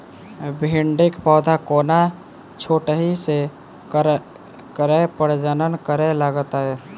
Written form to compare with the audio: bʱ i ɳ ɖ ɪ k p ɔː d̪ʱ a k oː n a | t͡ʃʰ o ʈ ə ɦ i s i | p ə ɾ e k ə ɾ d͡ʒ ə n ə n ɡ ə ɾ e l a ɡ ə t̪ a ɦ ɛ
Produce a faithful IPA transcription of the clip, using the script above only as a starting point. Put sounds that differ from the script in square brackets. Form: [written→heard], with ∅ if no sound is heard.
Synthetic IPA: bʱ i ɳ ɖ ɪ k p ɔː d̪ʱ a k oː n a | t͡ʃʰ o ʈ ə ɦ i s [i→e] | [p→k] ə ɾ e [k→p] ə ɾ d͡ʒ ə n ə n [ɡ→k] ə ɾ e l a ɡ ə t̪ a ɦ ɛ